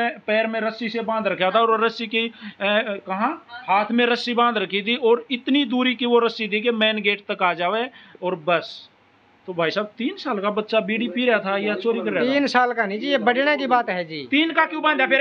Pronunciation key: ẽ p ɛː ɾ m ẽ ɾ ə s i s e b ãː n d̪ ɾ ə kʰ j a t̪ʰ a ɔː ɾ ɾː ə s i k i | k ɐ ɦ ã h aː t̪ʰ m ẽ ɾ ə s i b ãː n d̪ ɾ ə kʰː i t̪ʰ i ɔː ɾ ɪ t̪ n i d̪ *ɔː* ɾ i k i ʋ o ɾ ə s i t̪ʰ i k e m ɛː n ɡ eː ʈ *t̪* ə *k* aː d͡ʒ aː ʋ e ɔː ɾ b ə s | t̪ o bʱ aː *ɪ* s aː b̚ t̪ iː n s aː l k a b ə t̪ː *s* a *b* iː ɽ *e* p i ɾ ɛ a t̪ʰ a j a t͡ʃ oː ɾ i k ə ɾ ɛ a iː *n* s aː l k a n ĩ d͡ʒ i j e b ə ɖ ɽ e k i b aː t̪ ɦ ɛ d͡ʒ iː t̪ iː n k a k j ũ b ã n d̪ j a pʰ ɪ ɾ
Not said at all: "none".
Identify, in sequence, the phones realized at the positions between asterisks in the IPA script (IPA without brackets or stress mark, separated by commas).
uː, t̪, k, i, ʃ, b, i, n